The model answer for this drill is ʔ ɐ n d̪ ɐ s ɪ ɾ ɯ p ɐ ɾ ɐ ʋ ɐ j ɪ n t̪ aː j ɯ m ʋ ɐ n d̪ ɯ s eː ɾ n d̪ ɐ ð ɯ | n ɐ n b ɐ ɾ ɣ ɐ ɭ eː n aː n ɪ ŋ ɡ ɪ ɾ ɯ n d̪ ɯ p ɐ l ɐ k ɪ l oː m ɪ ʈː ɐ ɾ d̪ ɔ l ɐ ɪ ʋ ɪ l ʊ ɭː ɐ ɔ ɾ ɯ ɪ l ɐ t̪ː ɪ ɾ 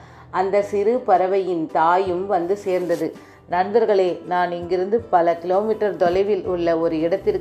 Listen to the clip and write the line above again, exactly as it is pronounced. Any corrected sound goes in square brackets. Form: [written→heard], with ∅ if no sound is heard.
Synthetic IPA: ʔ ɐ n d̪ ɐ s ɪ ɾ ɯ p ɐ ɾ ɐ ʋ ɐ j ɪ n t̪ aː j ɯ m ʋ ɐ n d̪ ɯ s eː ɾ n d̪ ɐ ð ɯ | n ɐ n b ɐ ɾ ɣ ɐ ɭ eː n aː n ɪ ŋ ɡ ɪ ɾ ɯ n d̪ ɯ p ɐ l ɐ k ɪ l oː m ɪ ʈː ɐ ɾ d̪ ɔ l ɐ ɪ ʋ ɪ l ʊ ɭː ɐ ɔ ɾ ɯ ɪ [l→ɽ] ɐ t̪ː ɪ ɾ